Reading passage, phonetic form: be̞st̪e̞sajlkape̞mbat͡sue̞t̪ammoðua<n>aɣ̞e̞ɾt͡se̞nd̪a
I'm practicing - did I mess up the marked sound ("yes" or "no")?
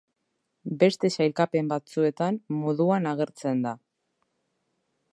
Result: no